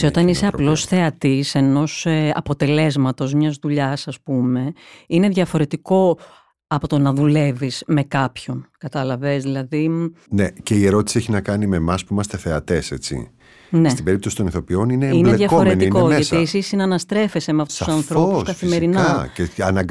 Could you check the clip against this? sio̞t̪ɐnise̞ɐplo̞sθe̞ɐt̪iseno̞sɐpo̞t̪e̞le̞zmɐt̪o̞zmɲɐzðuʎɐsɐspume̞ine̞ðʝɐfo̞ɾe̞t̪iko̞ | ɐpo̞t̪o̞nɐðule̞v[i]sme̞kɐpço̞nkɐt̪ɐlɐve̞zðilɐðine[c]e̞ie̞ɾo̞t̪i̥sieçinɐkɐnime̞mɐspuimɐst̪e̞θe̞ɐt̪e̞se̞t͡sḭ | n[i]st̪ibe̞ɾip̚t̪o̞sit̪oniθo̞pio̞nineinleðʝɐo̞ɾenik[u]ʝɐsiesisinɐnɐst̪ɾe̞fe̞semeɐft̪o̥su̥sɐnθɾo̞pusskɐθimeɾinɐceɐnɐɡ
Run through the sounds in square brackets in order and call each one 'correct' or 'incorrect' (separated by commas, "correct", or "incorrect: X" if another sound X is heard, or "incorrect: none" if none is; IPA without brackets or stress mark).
correct, correct, incorrect: e, incorrect: o